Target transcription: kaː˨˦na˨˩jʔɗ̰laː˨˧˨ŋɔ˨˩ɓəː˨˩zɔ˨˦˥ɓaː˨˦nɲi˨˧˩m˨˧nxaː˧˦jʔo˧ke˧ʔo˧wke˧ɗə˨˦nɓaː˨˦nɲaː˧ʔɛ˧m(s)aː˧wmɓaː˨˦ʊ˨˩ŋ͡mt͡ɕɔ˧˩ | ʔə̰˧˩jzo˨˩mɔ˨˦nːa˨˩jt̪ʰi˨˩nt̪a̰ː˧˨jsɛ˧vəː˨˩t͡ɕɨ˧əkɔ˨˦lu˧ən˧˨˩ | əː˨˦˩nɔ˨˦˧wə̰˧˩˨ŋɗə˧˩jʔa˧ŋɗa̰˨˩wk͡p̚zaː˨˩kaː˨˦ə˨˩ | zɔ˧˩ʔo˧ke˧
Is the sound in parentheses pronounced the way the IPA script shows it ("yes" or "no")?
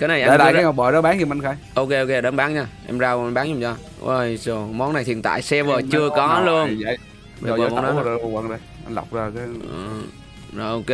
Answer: no